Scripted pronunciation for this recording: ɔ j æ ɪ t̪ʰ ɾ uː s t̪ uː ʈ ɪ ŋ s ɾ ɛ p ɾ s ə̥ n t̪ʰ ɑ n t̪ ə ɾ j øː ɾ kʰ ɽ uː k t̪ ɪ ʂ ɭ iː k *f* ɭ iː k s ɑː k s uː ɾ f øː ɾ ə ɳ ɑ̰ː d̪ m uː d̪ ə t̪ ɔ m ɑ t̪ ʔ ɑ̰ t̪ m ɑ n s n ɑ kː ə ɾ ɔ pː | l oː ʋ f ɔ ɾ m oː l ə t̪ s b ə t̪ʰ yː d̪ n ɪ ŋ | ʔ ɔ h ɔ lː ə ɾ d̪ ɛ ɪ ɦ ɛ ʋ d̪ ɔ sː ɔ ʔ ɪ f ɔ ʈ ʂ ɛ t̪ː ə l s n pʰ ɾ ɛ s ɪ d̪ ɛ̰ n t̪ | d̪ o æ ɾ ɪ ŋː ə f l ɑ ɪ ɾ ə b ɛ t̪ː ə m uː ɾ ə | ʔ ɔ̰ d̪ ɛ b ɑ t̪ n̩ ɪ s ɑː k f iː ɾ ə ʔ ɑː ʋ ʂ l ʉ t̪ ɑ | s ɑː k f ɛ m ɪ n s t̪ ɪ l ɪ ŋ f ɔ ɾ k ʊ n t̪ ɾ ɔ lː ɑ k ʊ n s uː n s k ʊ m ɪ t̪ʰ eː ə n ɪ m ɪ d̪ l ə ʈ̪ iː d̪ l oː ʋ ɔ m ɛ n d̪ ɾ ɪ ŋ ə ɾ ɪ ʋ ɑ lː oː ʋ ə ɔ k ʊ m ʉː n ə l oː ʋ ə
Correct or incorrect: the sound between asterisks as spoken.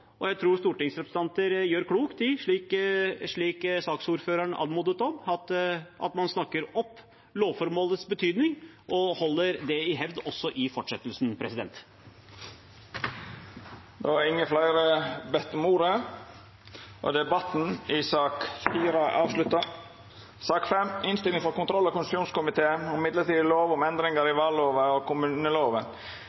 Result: incorrect: ʂ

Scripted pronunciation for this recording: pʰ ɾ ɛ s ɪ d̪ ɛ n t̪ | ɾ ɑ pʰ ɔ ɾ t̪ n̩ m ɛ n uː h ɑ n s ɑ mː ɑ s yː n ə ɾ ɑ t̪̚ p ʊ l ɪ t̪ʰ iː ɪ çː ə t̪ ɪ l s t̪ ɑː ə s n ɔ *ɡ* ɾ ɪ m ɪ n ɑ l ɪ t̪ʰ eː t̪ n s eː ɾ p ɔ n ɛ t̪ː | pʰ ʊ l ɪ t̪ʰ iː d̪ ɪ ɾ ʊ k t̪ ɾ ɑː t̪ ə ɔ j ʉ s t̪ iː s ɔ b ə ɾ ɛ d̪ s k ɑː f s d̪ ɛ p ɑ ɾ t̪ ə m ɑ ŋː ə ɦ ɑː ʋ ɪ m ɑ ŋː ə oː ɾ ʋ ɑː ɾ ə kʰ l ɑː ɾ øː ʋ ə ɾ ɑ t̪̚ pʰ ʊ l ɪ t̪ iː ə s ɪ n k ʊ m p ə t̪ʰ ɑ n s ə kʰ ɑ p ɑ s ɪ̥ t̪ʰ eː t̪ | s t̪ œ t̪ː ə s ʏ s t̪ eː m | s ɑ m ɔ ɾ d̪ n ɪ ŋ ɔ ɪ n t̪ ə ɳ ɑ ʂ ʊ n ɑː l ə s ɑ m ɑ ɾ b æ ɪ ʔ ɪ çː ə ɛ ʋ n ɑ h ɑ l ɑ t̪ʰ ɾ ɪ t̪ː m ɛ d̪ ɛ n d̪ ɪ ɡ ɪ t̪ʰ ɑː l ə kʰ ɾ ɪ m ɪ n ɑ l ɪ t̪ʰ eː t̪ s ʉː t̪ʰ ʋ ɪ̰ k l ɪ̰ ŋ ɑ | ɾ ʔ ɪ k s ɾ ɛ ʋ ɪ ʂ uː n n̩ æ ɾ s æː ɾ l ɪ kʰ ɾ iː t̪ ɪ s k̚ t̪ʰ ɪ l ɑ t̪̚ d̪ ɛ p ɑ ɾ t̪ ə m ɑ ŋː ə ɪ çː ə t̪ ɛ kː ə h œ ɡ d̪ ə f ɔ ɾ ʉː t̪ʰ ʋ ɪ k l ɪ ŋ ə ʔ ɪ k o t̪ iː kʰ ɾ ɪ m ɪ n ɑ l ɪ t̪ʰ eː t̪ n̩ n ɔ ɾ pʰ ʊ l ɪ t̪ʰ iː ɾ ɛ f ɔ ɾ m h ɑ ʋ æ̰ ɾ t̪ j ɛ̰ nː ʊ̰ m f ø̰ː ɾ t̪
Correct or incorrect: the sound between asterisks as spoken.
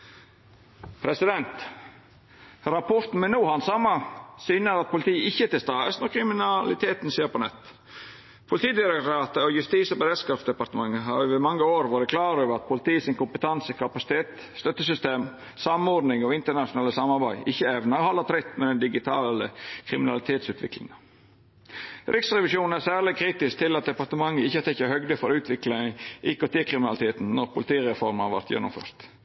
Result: incorrect: k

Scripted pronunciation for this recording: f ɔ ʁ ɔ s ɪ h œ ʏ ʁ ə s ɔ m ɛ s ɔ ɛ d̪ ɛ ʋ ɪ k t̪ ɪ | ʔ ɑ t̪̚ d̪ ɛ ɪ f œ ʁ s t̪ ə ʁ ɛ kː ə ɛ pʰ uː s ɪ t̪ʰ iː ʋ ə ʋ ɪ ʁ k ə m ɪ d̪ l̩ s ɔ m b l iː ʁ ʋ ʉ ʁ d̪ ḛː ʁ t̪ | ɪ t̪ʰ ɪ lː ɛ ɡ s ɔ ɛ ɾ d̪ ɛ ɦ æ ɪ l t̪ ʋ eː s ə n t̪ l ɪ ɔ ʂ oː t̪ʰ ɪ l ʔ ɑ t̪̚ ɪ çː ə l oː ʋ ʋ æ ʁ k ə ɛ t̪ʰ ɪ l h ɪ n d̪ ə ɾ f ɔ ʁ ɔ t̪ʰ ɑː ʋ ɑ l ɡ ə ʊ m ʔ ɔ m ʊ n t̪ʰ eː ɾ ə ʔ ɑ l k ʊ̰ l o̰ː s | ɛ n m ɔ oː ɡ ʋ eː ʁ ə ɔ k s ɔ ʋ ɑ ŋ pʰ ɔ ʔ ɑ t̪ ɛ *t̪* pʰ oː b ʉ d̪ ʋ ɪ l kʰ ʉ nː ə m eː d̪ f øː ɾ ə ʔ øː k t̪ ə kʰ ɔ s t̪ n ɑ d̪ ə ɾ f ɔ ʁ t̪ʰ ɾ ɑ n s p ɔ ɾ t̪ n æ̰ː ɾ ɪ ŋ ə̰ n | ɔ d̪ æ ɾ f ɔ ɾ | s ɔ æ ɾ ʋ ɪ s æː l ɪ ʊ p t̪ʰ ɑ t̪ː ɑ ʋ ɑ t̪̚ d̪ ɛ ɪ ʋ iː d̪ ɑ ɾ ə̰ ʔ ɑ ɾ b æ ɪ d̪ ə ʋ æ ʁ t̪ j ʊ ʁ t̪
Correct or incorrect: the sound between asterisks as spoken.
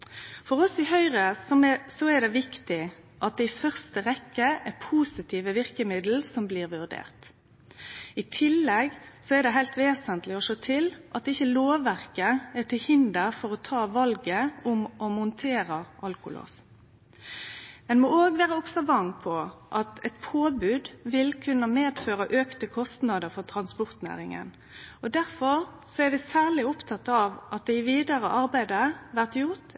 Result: correct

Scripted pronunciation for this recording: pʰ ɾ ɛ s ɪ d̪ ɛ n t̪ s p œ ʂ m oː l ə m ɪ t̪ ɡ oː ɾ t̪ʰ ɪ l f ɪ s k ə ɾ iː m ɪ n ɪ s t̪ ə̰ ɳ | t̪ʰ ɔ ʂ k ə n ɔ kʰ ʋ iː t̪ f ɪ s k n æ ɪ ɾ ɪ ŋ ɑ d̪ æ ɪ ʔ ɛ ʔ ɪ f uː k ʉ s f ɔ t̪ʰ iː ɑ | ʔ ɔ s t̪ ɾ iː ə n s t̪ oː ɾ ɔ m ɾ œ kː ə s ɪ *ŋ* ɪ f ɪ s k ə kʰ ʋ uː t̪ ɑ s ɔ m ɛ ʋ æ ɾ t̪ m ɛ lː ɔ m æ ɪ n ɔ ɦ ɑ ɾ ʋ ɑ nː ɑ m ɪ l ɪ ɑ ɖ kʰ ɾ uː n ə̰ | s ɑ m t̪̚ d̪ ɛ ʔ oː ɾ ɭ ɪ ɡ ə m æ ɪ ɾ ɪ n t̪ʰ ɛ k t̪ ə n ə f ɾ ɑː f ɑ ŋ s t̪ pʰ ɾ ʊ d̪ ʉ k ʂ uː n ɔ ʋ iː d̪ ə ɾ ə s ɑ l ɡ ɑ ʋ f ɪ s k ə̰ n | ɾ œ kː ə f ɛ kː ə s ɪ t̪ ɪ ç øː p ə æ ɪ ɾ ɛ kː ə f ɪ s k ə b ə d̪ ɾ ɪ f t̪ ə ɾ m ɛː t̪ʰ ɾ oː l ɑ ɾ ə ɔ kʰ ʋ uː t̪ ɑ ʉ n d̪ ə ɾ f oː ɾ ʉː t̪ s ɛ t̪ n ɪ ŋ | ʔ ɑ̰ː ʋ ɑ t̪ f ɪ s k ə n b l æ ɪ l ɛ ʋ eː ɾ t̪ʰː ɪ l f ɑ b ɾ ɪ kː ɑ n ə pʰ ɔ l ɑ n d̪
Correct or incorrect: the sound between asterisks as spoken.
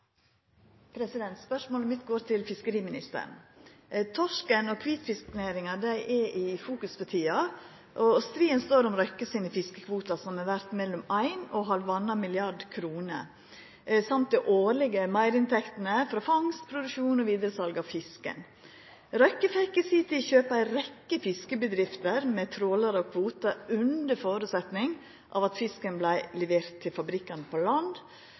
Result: incorrect: n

